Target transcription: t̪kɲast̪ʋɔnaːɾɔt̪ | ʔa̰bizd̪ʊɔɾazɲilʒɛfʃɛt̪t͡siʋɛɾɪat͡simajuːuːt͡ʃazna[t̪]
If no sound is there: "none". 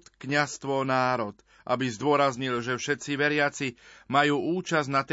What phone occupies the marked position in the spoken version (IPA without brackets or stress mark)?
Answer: t̪